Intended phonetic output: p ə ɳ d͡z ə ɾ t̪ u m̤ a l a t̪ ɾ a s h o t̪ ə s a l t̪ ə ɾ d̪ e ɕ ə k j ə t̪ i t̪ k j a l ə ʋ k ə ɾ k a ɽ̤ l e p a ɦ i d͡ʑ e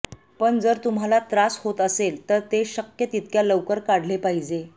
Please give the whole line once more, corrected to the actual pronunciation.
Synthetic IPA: p ə ɳ d͡z ə ɾ t̪ u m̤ a l a t̪ ɾ a s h o t̪ ə s e l t̪ ə ɾ t̪ e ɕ ə k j ə t̪ i t̪ k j a l ə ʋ k ə ɾ k a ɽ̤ l e p a ɦ i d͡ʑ e